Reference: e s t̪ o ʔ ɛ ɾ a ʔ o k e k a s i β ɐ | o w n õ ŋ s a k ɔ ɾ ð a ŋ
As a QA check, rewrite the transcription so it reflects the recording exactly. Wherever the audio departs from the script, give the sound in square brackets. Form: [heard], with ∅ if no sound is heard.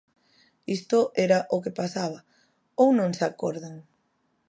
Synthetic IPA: [i] s t̪ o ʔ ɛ ɾ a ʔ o k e [p] a s [a] β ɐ | o w n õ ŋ s a k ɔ ɾ ð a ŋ